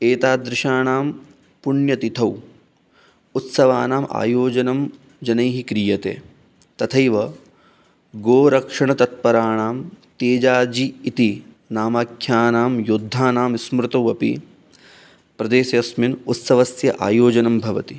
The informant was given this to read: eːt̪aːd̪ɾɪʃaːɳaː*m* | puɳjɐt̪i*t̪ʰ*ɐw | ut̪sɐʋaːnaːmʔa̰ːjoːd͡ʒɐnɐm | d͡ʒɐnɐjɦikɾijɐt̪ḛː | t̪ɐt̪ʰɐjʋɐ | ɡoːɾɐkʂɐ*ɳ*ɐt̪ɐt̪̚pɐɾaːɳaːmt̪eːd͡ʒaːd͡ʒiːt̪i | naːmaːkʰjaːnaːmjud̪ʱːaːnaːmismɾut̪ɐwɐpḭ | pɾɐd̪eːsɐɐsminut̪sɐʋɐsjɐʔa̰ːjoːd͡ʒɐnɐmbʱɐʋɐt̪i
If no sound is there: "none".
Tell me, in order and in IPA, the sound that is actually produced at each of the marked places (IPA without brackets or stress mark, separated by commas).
m, t̪ʰ, ɳ